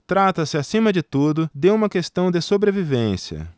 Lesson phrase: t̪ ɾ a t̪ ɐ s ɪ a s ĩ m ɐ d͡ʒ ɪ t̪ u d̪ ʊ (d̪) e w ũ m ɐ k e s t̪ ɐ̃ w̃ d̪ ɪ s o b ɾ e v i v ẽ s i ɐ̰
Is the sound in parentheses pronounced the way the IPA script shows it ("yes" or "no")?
yes